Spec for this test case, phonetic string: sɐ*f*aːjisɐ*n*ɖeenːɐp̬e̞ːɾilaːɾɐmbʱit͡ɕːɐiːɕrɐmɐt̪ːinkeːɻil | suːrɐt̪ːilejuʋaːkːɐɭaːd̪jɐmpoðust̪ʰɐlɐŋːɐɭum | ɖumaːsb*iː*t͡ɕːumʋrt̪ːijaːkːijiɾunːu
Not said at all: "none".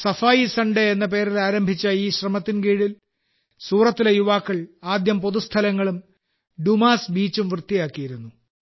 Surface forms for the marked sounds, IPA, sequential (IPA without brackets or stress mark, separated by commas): f, ɳ, iː